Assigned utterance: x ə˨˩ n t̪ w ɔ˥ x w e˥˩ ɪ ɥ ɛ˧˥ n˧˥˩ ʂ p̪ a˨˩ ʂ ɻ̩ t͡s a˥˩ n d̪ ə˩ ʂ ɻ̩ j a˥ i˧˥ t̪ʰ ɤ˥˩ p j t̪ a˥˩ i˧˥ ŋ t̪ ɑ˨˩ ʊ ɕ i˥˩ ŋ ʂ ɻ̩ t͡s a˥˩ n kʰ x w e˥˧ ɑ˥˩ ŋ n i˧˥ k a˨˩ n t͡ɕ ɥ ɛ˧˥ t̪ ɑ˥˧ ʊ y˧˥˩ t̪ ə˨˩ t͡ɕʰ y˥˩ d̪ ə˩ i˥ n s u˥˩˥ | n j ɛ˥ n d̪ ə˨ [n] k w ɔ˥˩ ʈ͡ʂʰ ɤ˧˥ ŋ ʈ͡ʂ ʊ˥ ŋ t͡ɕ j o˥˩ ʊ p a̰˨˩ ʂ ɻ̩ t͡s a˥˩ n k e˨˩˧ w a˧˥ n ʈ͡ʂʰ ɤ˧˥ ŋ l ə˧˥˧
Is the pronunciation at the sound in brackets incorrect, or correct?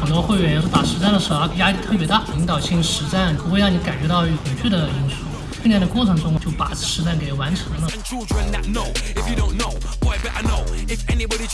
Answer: incorrect